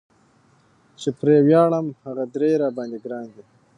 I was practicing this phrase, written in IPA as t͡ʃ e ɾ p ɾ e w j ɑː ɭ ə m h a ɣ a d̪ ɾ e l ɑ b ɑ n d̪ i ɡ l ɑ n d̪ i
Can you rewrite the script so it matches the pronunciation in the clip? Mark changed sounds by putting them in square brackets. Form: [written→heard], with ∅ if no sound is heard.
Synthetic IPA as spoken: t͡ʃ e [ɾ→∅] p ɾ e w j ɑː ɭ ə m h a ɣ a d̪ ɾ e [l→ɾ] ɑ b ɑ n d̪ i ɡ [l→ɾ] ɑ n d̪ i